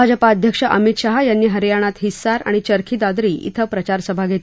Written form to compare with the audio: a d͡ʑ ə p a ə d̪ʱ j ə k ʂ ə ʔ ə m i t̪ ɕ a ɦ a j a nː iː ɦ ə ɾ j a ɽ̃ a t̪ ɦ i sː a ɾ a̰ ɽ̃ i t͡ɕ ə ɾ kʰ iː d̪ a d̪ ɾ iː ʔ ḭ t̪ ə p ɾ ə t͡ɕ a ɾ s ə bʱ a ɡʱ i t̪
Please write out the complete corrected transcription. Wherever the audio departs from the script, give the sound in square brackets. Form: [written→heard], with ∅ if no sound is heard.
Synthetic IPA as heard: a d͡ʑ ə p a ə d̪ʱ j ə k ʂ ə ʔ ə m i t̪ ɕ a ɦ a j a nː iː ɦ ə ɾ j a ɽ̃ a t̪ ɦ i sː a ɾ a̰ ɽ̃ i t͡ɕ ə ɾ kʰ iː d̪ a d̪ ɾ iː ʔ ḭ [t̪→t̪ʰ] ə p ɾ ə t͡ɕ a ɾ s ə bʱ a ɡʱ [i→e] t̪